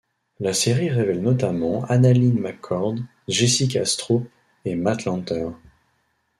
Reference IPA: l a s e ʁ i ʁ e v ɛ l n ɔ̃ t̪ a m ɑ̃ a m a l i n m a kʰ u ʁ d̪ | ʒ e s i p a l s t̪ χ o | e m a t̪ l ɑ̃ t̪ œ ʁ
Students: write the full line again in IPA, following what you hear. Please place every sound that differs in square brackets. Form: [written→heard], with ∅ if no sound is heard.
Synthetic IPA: l a s e ʁ i ʁ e v ɛ l n [ɔ̃→ɔ] t̪ a m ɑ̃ a [m→n] a l i n m a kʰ [u→ɔ] ʁ d̪ | ʒ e s i [p→k] a [l→∅] s t̪ χ o | e m a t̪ l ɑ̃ t̪ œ ʁ

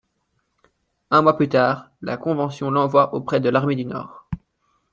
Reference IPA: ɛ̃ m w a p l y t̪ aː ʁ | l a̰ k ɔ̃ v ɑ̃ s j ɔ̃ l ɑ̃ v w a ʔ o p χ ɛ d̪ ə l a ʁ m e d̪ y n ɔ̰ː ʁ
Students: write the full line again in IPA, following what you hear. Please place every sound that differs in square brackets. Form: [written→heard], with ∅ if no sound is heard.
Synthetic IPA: ɛ̃ m w a p l y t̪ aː ʁ | l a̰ k ɔ̃ v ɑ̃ s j ɔ̃ l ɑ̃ v w a ʔ o p χ ɛ d̪ ə l a ʁ m e d̪ y n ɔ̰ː ʁ

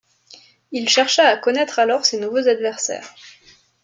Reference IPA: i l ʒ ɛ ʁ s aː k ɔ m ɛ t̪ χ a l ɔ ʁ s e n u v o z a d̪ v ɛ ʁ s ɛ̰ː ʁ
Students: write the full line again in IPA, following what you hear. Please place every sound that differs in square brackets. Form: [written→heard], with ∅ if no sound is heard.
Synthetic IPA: i l [ʒ→ʃ] ɛ ʁ [s→ʃ] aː k ɔ [m→n] ɛ t̪ χ a l ɔ ʁ s e n u v o z a d̪ v ɛ ʁ s ɛ̰ː ʁ

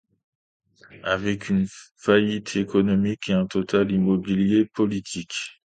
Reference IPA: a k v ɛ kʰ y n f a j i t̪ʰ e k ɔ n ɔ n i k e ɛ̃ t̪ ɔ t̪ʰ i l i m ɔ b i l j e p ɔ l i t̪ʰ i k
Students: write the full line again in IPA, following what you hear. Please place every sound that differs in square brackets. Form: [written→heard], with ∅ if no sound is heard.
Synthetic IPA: a [k→∅] v ɛ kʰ y n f a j i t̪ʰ e k ɔ n ɔ [n→m] i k e ɛ̃ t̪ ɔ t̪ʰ [i→a] l i m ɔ b i l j e p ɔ l i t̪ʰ i k

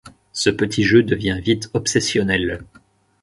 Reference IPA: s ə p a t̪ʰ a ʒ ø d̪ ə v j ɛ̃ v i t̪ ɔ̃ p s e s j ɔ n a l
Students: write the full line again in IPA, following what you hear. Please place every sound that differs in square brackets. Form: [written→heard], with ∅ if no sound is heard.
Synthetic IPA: s ə p [a→ə] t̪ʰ [a→i] ʒ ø d̪ ə v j ɛ̃ v i t̪ [ɔ̃→ɔ] p s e s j ɔ n [a→ɛ] l

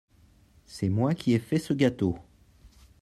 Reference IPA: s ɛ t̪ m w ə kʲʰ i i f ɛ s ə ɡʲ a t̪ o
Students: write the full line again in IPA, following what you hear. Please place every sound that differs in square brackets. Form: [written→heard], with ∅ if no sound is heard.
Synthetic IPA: s ɛ [t̪→∅] m w [ə→a] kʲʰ i [i→ɛ] f ɛ s ə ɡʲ a t̪ o

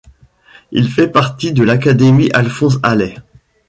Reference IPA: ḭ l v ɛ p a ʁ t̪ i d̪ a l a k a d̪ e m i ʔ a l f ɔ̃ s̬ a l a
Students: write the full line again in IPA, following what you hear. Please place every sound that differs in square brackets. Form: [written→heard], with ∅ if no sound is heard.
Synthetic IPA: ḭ l [v→f] ɛ p a ʁ t̪ i d̪ [a→ə] l a k a d̪ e m i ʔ a l f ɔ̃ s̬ a l [a→ɛ]

